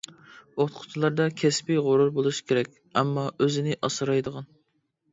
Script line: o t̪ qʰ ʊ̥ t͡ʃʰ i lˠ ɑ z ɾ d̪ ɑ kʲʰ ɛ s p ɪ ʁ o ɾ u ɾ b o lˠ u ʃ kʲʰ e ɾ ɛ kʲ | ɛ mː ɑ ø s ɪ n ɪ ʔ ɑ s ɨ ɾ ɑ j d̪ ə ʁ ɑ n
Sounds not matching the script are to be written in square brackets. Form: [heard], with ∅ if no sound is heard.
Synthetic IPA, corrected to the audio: o t̪ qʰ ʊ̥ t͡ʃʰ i lˠ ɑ [∅] ɾ d̪ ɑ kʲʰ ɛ s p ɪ ʁ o ɾ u ɾ b o lˠ u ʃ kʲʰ e ɾ ɛ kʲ | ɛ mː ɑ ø [z] ɪ n ɪ ʔ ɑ s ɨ ɾ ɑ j d̪ ə ʁ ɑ n